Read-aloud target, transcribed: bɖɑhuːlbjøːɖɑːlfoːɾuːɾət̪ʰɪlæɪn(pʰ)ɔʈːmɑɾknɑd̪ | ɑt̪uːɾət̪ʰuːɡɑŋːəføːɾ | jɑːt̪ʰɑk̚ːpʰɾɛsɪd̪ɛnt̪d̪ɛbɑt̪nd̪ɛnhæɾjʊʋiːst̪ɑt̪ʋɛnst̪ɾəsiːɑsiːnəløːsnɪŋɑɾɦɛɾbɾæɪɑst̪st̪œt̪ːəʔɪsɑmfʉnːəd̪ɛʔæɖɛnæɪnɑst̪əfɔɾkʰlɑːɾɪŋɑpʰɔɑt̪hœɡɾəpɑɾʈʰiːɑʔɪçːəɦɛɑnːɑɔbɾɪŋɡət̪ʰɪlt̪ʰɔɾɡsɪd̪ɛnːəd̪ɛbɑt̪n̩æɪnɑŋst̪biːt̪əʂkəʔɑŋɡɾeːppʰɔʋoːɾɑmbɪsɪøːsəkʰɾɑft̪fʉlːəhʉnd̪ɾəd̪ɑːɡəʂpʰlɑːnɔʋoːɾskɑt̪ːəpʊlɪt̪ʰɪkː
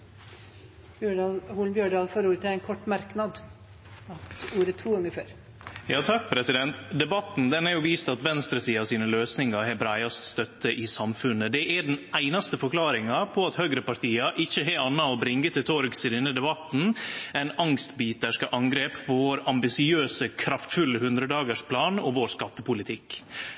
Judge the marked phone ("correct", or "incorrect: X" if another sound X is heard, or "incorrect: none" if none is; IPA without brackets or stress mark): incorrect: kʰ